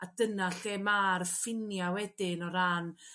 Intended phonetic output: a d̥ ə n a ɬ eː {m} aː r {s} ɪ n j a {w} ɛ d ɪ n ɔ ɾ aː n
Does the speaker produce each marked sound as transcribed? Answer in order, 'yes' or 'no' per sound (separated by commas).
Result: yes, no, yes